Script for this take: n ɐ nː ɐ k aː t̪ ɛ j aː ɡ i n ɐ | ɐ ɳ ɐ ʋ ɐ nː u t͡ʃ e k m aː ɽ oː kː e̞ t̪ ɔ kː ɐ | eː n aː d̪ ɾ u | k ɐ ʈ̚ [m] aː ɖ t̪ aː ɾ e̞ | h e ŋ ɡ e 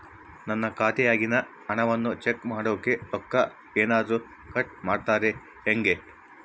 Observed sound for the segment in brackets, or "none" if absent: m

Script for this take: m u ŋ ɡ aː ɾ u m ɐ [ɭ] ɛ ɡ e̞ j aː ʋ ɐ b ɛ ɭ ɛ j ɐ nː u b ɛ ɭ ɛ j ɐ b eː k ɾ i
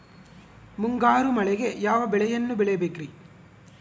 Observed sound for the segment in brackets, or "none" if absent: ɭ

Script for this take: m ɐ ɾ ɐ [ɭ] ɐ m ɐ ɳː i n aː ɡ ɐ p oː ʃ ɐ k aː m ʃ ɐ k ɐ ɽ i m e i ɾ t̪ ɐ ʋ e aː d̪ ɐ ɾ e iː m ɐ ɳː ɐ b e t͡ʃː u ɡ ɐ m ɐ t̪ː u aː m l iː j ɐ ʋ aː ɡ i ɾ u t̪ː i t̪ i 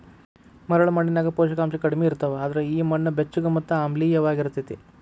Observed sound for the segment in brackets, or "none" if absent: ɭ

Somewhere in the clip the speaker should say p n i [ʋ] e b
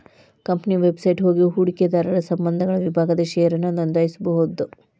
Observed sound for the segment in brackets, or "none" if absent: ʋ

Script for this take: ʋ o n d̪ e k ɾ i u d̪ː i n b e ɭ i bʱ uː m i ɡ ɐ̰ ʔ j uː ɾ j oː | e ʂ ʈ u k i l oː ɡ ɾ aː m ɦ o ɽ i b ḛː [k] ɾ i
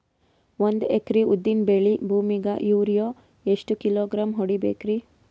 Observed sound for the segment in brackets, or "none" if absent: k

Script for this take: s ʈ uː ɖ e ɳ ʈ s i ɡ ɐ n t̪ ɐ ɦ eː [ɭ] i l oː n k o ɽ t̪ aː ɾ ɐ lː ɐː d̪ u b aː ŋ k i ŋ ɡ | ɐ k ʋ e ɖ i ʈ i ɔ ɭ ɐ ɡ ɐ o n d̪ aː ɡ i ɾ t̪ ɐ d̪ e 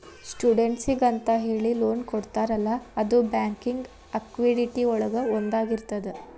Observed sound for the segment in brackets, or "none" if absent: ɭ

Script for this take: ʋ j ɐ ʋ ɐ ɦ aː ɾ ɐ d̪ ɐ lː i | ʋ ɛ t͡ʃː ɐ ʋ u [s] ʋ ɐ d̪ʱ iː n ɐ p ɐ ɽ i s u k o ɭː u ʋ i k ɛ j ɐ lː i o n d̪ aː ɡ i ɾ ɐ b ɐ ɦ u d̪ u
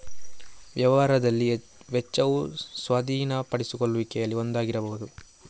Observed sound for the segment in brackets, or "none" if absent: s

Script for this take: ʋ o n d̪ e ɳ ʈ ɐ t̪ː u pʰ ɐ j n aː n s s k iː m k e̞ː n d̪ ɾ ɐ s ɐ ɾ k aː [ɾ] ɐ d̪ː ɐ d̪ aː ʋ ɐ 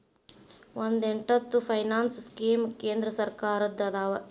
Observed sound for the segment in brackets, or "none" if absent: ɾ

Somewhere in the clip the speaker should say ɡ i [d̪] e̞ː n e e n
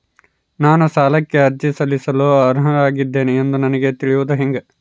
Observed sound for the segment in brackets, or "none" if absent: d̪ː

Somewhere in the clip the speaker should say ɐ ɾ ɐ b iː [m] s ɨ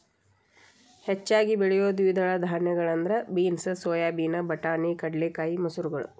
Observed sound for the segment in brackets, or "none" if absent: n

